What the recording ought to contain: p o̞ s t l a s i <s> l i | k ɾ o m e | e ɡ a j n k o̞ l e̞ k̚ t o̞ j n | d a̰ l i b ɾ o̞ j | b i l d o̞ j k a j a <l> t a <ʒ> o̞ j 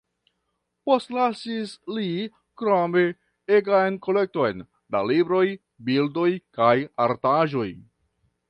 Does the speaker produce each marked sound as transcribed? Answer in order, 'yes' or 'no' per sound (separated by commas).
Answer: yes, no, yes